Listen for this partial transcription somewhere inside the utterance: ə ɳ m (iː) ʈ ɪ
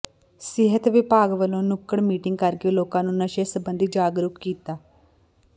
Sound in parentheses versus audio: correct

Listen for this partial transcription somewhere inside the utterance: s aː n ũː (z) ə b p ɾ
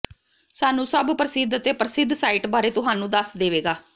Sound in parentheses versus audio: incorrect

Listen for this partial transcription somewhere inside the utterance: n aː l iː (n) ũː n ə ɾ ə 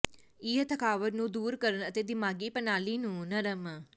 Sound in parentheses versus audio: correct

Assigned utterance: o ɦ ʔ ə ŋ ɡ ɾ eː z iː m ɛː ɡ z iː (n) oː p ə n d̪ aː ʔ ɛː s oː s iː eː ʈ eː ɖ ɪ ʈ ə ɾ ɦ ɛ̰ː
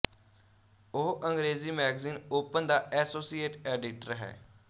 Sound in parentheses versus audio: correct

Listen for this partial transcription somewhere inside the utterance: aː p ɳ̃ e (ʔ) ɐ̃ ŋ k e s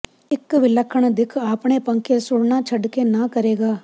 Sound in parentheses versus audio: incorrect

